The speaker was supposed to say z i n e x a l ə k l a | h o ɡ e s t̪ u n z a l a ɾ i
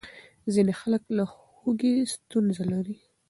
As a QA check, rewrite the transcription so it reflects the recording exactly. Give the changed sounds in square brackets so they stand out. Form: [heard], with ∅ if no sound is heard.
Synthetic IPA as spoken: z i n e x a l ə k l a | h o ɡ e s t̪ u n z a l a ɾ i